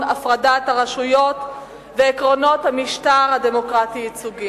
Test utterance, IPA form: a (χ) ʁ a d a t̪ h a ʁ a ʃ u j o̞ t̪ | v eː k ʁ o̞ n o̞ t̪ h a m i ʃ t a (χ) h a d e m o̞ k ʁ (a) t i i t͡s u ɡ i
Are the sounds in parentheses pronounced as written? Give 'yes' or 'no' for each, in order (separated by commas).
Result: no, no, yes